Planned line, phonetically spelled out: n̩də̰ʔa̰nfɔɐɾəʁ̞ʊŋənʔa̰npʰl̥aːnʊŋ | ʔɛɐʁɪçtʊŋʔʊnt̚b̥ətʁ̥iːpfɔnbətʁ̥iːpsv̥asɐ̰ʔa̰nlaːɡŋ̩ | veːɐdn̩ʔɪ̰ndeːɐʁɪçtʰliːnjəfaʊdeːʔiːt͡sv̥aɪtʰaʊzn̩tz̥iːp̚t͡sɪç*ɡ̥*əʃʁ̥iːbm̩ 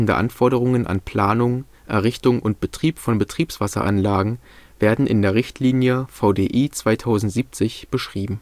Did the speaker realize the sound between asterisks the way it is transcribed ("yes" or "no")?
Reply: no